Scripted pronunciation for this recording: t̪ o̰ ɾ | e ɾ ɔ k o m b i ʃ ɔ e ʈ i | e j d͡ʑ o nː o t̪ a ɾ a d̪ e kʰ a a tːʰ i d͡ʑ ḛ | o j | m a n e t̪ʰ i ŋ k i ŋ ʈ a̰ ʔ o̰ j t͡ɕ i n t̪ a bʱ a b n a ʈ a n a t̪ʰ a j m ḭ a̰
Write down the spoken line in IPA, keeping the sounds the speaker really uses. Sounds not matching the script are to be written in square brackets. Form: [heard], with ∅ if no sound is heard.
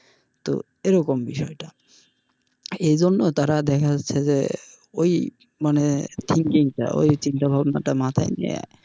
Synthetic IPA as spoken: t̪ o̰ [∅] | e ɾ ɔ k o m b i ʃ ɔ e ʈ [a] | e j d͡ʑ o nː o t̪ a ɾ a d̪ [ɛ] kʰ a a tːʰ [e] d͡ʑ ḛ | o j | m a n e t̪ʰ i ŋ k i ŋ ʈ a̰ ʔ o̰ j t͡ɕ i n t̪ a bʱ a b n a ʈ a [m] a t̪ʰ a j [n] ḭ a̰